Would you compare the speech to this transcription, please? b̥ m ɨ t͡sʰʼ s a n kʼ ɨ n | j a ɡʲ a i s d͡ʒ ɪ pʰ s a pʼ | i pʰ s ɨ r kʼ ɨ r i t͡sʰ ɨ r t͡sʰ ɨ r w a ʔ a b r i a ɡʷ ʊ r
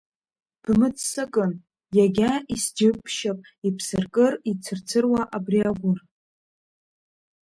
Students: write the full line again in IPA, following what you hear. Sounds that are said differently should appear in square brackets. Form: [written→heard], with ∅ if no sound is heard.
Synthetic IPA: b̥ m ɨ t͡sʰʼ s a [n→∅] kʼ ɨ n | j a ɡʲ a i s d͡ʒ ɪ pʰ [s→ʃ] a pʼ | i pʰ s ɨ r kʼ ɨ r i t͡sʰ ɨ r t͡sʰ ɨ r w a ʔ a b r i a ɡʷ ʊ r